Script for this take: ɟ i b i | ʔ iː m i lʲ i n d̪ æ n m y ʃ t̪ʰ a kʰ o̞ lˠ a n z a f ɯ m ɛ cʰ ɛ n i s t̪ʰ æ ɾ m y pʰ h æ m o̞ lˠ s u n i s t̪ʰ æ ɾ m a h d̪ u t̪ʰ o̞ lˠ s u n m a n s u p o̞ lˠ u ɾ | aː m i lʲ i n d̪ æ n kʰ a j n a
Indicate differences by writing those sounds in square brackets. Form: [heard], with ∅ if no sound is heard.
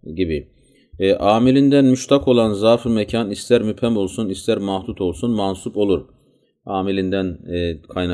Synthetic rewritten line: ɟ i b i | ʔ [aː] m i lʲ i n d̪ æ n m y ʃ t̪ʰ a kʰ o̞ lˠ a n z a f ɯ m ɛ cʰ [a] n i s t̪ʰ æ ɾ m y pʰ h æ m o̞ lˠ s u n i s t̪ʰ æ ɾ m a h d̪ u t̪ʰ o̞ lˠ s u n m a n s u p o̞ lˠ u ɾ | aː m i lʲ i n d̪ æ n kʰ a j n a